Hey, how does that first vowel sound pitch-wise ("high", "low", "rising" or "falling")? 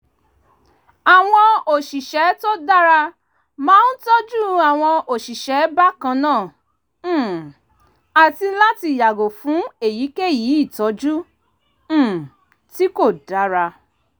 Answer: low